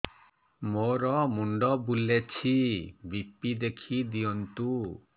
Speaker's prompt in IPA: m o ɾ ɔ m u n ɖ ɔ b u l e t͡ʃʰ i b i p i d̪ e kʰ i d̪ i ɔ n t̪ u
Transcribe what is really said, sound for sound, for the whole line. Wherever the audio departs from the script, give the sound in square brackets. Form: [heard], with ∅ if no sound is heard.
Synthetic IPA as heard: m o ɾ ɔ m u [ɳ] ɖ ɔ b u l e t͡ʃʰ i b i p i d̪ e kʰ i d̪ i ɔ n t̪ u